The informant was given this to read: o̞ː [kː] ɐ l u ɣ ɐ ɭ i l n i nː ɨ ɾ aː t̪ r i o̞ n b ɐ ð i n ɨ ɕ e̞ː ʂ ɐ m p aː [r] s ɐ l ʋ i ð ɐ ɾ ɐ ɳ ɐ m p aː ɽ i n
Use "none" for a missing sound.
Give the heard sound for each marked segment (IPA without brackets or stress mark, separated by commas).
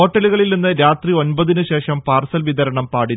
ʈː, r